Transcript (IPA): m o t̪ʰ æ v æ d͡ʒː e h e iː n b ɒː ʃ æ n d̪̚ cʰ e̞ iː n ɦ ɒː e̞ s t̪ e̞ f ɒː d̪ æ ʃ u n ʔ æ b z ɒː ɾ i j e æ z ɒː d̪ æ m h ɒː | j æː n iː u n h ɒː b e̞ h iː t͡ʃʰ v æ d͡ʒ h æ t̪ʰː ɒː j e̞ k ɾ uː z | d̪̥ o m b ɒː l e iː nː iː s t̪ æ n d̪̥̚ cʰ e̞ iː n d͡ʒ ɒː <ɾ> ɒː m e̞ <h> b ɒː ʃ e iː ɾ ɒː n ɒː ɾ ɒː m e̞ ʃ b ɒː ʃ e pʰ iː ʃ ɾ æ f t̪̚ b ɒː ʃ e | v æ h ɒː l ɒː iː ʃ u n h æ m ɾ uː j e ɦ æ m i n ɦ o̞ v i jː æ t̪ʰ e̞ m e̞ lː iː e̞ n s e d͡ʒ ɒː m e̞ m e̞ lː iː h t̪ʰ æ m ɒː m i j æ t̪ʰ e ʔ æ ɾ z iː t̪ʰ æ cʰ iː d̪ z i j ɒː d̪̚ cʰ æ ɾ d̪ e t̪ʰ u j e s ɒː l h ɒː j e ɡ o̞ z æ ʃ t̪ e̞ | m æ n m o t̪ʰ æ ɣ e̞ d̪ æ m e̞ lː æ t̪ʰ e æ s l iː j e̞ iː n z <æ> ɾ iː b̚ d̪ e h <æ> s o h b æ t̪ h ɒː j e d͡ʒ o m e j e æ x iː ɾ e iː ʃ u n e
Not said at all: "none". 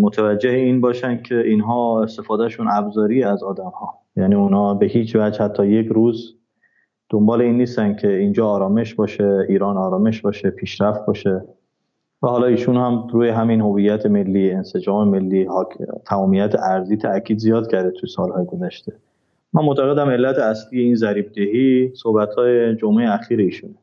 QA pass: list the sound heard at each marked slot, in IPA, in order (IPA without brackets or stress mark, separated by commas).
ɾ, ʃ, æ, i